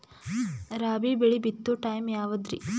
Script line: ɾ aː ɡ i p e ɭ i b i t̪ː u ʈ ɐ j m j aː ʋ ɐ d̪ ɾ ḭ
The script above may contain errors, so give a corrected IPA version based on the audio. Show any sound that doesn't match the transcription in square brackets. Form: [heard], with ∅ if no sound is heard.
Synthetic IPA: ɾ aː [b] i [b] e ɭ i b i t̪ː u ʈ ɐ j m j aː ʋ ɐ d̪ ɾ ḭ